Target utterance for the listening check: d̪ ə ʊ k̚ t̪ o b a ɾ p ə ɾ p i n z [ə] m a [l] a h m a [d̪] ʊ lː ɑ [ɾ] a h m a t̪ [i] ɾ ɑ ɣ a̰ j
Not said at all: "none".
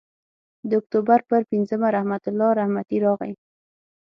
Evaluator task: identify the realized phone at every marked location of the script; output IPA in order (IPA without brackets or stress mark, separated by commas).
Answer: ə, ɾ, t̪, ɾ, i